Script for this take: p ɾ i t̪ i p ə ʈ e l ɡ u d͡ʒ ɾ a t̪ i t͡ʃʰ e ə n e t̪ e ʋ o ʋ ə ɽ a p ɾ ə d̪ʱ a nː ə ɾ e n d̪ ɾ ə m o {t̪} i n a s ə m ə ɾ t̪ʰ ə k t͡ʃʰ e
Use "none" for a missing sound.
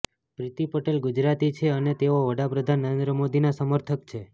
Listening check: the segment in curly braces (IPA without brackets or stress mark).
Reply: d̪